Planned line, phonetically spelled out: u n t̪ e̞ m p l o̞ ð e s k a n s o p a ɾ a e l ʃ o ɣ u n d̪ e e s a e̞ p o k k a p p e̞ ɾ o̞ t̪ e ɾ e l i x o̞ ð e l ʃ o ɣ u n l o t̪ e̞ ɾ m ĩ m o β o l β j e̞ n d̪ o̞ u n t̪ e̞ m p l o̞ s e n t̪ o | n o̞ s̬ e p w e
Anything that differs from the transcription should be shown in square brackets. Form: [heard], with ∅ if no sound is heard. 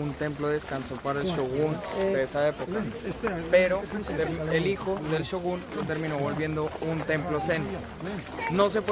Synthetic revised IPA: u n t̪ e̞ m p l o̞ ð e s k a n s o p a ɾ a e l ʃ o ɣ u n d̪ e e s a e̞ p o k k a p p e̞ ɾ o̞ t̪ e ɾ e l i x o̞ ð e l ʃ o ɣ u n l o t̪ e̞ ɾ m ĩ [n] o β o l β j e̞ n d̪ o̞ u n t̪ e̞ m p l o̞ s e n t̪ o | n o̞ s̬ e p w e